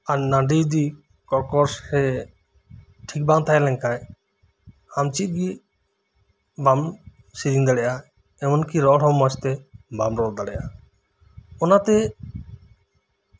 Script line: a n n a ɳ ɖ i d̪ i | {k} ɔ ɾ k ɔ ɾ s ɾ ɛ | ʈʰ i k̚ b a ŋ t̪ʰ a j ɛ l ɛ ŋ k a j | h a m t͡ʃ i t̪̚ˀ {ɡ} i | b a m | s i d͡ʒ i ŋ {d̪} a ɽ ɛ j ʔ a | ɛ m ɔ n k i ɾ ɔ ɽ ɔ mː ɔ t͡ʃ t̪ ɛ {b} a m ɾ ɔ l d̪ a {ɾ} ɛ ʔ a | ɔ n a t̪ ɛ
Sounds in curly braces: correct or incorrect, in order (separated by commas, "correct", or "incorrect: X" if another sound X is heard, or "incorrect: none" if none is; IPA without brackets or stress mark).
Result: correct, correct, correct, correct, incorrect: ɽ